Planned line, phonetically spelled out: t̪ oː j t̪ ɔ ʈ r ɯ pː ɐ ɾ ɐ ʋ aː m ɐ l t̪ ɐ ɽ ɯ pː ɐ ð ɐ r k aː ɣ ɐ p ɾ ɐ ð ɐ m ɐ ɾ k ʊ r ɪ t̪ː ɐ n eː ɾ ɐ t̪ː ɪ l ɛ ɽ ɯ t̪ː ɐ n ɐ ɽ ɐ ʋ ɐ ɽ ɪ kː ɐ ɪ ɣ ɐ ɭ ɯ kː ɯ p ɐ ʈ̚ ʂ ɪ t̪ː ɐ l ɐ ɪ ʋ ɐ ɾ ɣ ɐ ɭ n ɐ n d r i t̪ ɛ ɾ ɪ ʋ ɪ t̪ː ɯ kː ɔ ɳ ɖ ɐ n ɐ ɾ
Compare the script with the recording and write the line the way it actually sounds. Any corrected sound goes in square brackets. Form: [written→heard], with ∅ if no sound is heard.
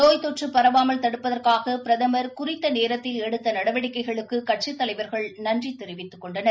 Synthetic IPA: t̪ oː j t̪ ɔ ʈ r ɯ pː ɐ ɾ ɐ ʋ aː m ɐ l t̪ ɐ ɽ ɯ pː ɐ ð ɐ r k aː ɣ ɐ p ɾ ɐ ð ɐ m ɐ ɾ k ʊ r ɪ t̪ː ɐ n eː ɾ ɐ t̪ː ɪ l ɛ ɽ ɯ t̪ː ɐ n ɐ ɽ ɐ ʋ ɐ ɽ ɪ kː ɐ ɪ ɣ ɐ ɭ ɯ kː ɯ [p→k] ɐ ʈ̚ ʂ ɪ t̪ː ɐ l ɐ ɪ ʋ ɐ ɾ ɣ ɐ ɭ n ɐ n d r i t̪ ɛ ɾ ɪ ʋ ɪ t̪ː ɯ kː ɔ ɳ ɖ ɐ n ɐ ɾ